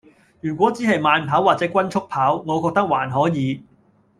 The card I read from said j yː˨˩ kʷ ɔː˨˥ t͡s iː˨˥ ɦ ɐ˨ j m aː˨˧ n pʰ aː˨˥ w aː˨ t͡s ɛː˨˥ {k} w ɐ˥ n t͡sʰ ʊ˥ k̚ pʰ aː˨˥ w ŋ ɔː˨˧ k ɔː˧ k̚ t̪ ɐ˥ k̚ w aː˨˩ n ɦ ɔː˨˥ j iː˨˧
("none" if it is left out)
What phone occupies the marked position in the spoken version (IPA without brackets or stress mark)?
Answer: k